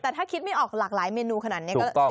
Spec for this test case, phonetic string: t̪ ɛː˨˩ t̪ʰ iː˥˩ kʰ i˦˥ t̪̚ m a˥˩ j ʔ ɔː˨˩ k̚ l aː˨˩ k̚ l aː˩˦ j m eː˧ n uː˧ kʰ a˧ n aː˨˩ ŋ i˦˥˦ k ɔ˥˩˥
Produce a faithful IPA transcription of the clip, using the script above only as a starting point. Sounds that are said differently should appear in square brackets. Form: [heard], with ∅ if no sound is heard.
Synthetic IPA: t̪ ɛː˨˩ t̪ʰ [aː˥˩] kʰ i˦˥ t̪̚ m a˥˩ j ʔ ɔː˨˩ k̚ l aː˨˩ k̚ l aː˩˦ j m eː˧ n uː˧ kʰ a˧ n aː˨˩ [n] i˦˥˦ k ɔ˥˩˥